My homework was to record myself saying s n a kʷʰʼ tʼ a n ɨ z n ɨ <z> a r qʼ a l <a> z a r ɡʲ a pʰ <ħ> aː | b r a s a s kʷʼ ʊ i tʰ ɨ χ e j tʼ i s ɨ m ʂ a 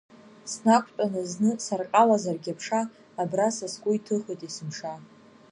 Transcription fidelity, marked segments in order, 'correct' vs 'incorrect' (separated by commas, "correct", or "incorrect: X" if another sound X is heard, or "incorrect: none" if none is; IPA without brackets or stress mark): incorrect: s, correct, incorrect: ʂ